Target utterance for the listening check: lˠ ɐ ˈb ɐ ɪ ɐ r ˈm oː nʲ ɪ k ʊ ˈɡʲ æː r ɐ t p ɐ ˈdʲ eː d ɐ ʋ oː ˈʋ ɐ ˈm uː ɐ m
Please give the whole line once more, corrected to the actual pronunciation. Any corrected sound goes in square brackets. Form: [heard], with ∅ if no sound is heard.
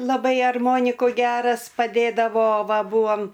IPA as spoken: lˠ ɐ ˈb ɐ ɪ ɐ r ˈm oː nʲ ɪ k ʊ ˈɡʲ æː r ɐ [s] p ɐ ˈdʲ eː d ɐ ʋ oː ˈʋ ɐ [ˈb] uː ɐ m